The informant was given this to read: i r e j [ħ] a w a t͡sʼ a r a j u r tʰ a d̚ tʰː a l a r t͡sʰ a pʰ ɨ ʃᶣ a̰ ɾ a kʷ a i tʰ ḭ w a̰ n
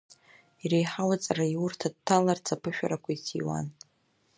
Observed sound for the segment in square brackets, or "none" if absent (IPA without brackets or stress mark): ħ